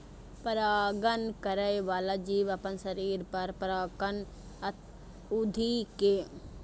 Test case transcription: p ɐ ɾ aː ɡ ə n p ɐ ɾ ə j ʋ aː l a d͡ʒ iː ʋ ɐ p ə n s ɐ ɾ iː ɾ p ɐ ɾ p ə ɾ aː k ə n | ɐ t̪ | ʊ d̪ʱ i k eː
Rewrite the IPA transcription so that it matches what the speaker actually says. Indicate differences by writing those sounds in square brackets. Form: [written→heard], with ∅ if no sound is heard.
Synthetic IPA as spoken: p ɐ ɾ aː ɡ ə n [p→k] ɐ ɾ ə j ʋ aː l a d͡ʒ iː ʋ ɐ p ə n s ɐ ɾ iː ɾ p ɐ ɾ p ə ɾ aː k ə n | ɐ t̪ | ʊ d̪ʱ i k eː